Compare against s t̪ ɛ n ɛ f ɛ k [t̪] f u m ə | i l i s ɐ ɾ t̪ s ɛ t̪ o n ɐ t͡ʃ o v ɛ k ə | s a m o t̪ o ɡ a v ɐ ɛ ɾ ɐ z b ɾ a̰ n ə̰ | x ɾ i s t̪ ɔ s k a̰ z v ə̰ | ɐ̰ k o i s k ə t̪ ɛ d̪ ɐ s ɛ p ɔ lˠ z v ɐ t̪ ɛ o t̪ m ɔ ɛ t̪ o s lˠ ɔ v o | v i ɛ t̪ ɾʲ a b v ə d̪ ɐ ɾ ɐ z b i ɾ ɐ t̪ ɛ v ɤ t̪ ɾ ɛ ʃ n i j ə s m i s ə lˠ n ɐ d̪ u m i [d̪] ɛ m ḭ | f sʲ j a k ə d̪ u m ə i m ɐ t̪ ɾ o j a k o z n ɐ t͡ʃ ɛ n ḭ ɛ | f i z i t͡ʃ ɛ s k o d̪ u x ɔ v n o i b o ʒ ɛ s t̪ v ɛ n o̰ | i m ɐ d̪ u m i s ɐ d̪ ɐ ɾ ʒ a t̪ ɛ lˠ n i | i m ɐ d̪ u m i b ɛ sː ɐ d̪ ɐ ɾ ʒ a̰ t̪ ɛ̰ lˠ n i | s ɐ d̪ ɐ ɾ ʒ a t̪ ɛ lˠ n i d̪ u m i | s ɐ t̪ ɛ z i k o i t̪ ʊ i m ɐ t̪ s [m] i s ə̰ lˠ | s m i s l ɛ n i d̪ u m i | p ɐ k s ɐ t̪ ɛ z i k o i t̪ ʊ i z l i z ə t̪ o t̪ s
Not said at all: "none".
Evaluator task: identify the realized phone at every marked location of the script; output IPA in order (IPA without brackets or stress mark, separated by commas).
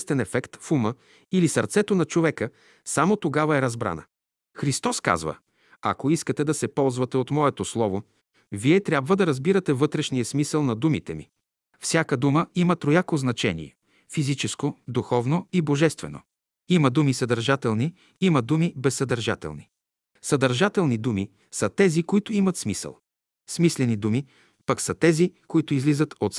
t̪, t̪, m